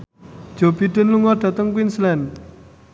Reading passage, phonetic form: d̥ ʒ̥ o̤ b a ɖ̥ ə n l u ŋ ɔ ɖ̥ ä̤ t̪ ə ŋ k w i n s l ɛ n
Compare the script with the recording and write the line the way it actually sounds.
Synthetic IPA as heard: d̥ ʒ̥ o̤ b i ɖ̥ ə n l u ŋ ɔ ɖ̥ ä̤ t̪ ə ŋ k w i n s l ɛ n